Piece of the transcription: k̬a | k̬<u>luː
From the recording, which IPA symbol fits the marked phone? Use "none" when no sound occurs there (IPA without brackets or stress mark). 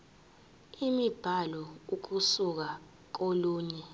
o